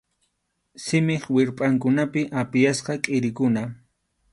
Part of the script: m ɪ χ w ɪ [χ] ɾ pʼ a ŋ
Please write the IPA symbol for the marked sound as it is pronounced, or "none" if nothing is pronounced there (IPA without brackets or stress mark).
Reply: none